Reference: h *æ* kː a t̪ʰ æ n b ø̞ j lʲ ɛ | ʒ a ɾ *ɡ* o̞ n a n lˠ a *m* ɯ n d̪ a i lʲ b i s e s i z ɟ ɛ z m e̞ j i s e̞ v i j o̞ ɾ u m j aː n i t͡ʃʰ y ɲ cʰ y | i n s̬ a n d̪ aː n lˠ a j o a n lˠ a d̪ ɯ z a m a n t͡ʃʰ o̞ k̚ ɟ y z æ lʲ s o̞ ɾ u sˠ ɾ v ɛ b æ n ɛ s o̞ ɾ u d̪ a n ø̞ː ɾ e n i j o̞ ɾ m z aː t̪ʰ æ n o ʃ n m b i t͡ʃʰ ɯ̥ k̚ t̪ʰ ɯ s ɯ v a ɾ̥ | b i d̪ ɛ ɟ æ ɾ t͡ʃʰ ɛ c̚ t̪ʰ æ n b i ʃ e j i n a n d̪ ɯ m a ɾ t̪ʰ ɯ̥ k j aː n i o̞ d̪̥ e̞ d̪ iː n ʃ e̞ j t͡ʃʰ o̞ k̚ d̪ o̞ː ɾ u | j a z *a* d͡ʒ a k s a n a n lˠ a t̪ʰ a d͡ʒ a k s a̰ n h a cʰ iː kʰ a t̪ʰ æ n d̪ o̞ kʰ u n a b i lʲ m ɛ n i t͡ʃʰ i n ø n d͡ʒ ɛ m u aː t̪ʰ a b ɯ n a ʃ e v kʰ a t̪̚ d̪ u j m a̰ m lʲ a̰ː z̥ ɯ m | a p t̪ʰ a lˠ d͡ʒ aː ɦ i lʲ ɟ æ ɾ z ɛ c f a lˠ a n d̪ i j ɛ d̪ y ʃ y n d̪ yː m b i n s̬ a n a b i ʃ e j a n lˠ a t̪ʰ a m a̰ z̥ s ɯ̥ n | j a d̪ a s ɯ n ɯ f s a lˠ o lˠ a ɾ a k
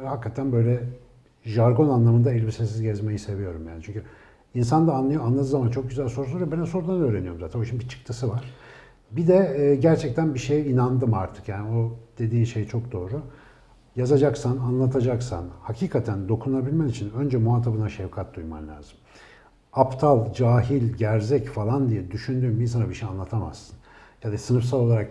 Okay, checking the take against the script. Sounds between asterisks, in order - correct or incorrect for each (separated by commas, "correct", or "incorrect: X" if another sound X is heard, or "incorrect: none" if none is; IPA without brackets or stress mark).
incorrect: a, correct, correct, correct